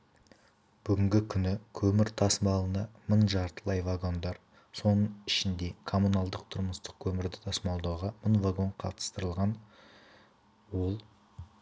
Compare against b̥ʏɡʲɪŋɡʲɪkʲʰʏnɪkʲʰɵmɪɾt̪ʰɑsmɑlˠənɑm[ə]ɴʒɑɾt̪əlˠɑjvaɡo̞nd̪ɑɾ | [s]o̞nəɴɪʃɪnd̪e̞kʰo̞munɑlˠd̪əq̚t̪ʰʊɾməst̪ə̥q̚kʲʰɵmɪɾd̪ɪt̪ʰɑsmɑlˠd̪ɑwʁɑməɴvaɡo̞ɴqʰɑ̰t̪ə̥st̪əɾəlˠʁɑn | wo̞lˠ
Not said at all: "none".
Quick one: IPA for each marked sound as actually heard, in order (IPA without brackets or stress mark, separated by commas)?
ə, s